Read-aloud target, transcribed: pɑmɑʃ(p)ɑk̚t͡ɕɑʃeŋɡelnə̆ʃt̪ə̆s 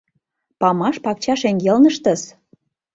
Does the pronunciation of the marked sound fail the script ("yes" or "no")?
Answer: no